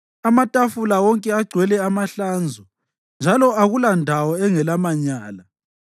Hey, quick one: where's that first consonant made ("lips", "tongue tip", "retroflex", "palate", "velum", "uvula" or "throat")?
lips